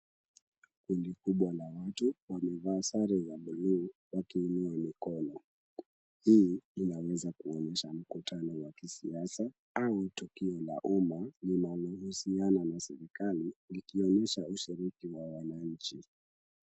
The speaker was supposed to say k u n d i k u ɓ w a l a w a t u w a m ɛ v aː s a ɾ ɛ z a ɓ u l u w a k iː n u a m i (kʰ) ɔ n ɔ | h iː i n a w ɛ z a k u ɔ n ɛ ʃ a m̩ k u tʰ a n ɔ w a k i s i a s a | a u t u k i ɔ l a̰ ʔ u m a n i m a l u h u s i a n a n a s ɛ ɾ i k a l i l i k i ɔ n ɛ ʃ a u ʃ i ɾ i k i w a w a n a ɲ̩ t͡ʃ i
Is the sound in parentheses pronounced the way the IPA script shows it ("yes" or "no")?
no